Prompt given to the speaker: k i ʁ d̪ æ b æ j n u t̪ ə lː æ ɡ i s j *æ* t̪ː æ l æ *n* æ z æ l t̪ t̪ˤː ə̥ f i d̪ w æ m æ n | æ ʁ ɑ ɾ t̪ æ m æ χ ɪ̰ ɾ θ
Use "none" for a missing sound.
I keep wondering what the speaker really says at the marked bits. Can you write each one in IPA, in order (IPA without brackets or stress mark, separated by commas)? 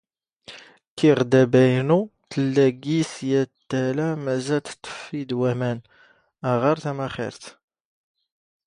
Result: æ, m